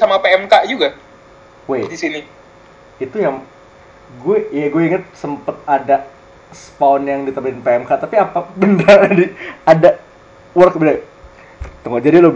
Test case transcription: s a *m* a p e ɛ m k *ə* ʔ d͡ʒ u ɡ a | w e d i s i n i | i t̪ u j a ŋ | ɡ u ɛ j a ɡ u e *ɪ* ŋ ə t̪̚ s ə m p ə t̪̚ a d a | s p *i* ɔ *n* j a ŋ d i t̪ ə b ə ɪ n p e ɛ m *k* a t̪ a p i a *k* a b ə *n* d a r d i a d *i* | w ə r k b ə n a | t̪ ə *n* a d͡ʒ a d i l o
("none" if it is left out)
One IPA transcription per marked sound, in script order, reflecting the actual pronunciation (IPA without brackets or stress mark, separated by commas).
m, a, i, a, n, k, p, n, a, ŋ